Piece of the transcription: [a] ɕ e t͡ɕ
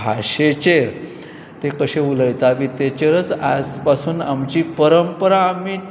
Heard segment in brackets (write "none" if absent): a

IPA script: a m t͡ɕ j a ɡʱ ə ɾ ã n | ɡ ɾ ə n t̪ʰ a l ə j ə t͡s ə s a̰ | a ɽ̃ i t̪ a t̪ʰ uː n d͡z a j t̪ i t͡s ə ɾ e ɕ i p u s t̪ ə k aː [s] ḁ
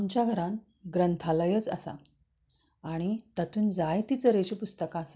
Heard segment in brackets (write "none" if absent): s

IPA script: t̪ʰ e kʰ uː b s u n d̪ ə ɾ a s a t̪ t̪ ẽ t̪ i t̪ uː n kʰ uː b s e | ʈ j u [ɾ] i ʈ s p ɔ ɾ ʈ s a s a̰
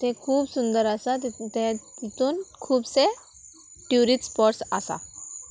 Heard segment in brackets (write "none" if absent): ɾ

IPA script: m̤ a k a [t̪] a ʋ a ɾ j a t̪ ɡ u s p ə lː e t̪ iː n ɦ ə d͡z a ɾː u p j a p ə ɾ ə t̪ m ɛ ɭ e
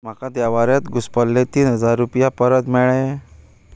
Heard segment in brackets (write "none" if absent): d̪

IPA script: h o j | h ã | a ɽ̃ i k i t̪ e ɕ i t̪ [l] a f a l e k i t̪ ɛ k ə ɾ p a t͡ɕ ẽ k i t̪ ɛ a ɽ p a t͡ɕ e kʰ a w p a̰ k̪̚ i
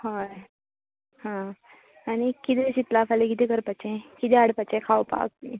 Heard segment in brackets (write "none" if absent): l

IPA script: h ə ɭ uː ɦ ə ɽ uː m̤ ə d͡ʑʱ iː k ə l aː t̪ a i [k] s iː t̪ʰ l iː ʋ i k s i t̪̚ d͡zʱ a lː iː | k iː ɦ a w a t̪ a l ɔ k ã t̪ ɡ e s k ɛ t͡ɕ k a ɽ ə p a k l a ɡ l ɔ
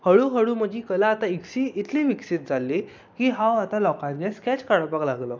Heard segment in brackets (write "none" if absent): k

